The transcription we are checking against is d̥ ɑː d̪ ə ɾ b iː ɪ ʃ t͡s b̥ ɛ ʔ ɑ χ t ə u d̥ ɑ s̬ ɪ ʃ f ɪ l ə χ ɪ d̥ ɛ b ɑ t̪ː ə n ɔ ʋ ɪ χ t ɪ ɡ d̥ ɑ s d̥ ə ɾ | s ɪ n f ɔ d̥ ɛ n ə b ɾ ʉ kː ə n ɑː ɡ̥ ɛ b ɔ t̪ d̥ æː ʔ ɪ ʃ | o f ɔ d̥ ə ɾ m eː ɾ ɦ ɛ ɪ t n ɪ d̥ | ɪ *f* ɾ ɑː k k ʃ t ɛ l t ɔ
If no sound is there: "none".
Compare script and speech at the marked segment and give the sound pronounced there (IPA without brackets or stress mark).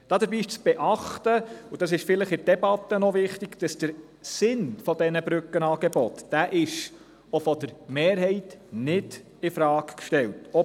f